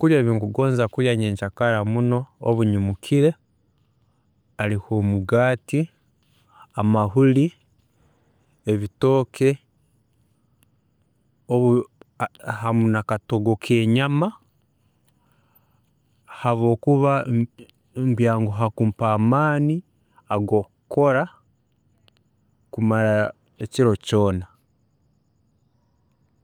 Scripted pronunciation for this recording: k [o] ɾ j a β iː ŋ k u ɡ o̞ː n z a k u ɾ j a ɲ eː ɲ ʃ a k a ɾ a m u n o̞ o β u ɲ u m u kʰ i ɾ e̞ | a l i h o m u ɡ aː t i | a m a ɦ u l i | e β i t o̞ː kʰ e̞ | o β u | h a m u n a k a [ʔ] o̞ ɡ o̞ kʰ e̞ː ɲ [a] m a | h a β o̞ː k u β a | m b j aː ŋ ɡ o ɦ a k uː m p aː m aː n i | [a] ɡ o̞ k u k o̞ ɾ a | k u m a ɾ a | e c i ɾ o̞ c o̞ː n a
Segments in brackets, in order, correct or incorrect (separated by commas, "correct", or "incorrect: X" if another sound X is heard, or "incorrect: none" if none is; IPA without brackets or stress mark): incorrect: u, incorrect: t, correct, correct